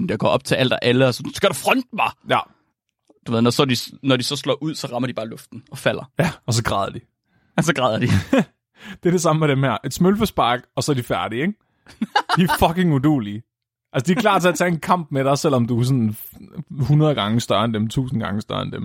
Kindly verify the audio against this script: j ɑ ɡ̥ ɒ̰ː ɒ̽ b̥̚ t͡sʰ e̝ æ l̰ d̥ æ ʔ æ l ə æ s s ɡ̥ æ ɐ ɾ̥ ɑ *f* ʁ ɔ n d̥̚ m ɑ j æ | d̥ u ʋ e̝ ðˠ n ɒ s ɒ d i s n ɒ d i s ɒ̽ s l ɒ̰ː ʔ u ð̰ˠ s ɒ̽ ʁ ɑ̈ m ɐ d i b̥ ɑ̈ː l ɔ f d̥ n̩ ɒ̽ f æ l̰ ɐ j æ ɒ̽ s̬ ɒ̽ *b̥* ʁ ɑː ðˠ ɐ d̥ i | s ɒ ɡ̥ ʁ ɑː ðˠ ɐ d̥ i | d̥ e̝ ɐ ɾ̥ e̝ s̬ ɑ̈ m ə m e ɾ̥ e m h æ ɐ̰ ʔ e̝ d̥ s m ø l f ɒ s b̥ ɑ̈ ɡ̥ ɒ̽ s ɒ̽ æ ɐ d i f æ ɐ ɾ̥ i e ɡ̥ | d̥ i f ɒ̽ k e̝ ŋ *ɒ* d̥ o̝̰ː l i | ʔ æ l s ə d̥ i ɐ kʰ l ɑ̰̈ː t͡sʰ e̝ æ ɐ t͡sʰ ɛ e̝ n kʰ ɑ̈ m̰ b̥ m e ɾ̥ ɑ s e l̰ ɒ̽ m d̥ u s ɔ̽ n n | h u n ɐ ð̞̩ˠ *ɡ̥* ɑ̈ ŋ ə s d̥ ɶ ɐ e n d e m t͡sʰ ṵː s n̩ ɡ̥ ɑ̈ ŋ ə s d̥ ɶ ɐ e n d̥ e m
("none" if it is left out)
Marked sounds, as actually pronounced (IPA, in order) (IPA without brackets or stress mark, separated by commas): f, ɡ̥, u, ɡ̥